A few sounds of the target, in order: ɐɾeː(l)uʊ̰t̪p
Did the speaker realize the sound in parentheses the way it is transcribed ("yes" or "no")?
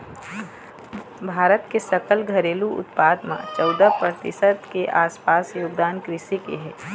yes